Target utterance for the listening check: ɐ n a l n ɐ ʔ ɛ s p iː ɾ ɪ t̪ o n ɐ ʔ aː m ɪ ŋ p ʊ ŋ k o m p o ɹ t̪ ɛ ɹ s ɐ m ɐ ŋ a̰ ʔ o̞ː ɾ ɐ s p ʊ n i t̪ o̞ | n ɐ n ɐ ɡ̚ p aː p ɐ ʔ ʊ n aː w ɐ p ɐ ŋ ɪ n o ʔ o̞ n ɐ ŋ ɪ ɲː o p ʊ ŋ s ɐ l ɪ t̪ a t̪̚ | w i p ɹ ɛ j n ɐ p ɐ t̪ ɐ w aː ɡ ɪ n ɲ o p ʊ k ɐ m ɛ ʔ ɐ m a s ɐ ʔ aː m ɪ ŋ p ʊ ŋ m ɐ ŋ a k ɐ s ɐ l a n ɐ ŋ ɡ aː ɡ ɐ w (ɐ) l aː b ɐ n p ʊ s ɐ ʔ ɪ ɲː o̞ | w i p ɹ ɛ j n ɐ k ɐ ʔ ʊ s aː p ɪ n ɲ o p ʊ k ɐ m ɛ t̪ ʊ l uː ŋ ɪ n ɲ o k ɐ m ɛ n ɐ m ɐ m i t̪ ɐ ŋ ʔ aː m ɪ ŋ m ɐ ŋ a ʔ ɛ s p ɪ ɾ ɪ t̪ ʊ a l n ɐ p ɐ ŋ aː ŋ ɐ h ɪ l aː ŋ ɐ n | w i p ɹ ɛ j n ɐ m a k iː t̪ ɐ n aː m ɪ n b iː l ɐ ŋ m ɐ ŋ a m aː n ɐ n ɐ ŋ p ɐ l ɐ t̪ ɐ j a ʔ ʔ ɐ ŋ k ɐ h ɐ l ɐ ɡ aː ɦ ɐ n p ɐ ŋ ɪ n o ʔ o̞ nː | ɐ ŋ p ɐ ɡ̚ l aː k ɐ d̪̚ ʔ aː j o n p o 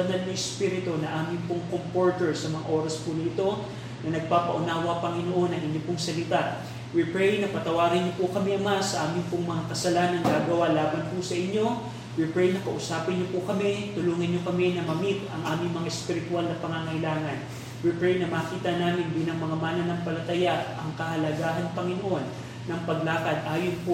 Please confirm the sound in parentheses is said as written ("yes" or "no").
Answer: no